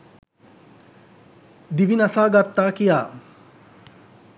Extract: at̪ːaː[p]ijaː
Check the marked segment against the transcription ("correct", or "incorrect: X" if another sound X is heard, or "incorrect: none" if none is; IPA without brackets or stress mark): incorrect: k